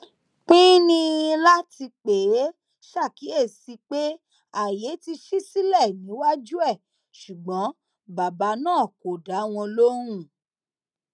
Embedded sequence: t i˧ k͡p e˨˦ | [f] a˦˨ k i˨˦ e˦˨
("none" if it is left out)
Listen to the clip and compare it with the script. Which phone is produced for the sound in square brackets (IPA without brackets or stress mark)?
ʃ